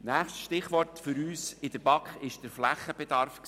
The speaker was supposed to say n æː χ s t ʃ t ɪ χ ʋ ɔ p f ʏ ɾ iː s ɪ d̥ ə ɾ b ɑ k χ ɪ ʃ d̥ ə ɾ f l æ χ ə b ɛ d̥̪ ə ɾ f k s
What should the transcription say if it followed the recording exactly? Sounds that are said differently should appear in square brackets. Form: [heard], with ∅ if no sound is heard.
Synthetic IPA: n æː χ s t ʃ t ɪ χ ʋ ɔ [t] f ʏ ɾ [yː] s ɪ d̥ ə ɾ b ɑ k χ ɪ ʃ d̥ ə ɾ f l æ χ ə b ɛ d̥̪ [ɑ] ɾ f k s